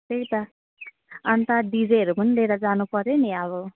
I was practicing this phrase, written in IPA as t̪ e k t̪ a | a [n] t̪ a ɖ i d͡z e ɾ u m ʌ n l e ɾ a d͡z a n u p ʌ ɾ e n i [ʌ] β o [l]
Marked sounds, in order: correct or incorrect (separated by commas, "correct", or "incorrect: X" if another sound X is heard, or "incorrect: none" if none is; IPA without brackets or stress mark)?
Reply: correct, incorrect: a, incorrect: none